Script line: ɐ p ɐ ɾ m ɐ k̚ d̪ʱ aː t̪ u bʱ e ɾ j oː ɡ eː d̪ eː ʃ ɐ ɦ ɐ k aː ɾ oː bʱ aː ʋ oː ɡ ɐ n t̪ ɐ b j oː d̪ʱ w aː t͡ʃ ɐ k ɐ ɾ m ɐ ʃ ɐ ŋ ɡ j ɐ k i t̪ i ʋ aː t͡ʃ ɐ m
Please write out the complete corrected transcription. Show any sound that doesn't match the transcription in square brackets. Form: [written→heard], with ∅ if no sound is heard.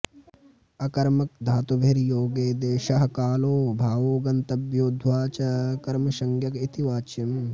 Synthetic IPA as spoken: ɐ [p→k] ɐ ɾ m ɐ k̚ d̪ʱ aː t̪ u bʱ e ɾ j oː ɡ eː d̪ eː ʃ ɐ ɦ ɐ k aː [ɾ→l] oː bʱ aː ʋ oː ɡ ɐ n t̪ ɐ b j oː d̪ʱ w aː t͡ʃ ɐ k ɐ ɾ m ɐ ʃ ɐ ŋ ɡ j ɐ k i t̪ i ʋ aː t͡ʃ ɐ m